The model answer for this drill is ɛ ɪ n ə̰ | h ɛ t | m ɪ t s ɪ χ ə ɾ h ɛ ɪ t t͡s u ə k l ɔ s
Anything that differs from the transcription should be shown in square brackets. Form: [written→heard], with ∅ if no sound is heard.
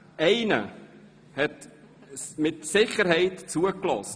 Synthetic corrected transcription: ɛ ɪ n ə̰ | h ɛ t | m ɪ t s ɪ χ ə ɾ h ɛ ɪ t t͡s u ə k l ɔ s